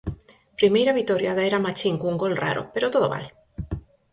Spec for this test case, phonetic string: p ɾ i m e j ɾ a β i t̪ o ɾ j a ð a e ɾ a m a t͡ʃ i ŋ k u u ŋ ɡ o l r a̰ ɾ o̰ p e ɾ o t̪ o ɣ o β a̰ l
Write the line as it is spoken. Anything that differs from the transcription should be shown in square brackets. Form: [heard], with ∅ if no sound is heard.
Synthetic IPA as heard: p ɾ i m e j ɾ a β i t̪ o ɾ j a ð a e ɾ a m a t͡ʃ i ŋ k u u ŋ ɡ o l r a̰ ɾ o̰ p e ɾ o t̪ o [ð] o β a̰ l